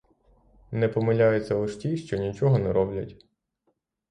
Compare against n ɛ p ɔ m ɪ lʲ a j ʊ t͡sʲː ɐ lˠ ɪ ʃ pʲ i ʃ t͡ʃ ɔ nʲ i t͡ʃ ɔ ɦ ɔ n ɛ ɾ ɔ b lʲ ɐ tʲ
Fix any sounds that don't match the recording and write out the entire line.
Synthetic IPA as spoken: n ɛ p ɔ m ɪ lʲ a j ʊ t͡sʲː ɐ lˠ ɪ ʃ tʲ i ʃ t͡ʃ ɔ nʲ i t͡ʃ ɔ ɦ ɔ n ɛ ɾ ɔ b lʲ ɐ tʲ